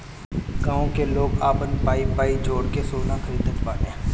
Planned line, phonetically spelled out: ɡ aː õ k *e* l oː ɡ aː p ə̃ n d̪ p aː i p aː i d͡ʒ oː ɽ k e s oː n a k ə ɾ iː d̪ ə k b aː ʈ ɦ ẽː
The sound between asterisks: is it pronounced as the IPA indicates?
yes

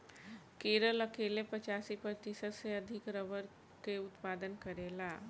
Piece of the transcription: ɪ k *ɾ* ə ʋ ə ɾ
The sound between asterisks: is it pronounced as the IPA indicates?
yes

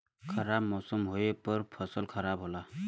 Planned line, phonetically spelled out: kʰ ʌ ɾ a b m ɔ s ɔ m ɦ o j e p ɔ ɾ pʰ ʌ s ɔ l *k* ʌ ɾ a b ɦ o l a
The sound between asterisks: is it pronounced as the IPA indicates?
no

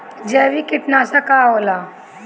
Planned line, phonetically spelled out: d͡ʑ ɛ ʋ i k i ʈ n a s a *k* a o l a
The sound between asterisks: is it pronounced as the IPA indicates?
yes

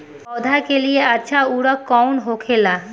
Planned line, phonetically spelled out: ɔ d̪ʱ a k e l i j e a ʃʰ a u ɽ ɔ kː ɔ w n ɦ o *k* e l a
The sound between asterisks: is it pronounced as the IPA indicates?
no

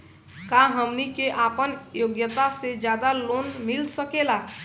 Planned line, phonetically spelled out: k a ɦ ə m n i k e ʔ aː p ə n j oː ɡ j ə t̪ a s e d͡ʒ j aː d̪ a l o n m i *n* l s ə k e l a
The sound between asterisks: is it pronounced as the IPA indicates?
no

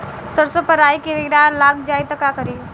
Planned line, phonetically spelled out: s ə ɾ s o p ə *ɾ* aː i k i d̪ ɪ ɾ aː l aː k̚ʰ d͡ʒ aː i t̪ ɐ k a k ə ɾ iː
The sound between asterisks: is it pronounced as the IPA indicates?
yes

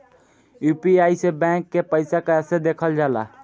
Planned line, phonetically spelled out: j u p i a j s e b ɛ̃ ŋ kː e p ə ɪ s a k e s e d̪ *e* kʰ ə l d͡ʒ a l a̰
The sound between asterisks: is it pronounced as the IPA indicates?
yes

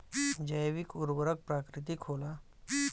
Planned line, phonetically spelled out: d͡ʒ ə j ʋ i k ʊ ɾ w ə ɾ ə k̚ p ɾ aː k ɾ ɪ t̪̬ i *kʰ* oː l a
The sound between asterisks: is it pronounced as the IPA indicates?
yes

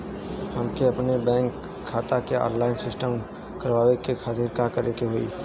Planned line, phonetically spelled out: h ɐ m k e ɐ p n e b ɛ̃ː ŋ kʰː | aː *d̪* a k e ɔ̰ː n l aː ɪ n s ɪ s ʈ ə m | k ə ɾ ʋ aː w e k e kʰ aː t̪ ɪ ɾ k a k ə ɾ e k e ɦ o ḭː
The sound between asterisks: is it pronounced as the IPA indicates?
no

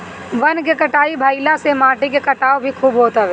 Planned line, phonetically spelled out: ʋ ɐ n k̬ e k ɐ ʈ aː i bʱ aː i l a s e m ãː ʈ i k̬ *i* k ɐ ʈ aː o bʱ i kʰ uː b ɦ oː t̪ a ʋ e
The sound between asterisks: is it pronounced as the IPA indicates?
no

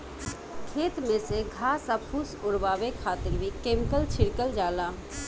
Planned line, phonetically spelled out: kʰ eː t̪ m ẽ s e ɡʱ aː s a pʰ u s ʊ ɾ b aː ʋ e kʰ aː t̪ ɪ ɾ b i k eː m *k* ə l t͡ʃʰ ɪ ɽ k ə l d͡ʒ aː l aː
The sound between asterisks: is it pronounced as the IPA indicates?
yes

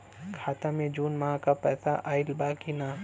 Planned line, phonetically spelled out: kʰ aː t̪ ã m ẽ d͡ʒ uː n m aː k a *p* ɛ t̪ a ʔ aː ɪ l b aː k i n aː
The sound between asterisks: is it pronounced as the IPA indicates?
yes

